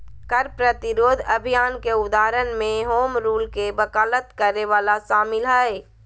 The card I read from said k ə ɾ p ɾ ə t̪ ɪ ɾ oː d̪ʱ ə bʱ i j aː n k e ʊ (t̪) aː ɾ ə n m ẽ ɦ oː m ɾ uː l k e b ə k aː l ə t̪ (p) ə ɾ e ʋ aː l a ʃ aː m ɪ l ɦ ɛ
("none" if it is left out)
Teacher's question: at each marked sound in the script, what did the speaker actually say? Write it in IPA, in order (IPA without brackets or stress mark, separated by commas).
d̪, k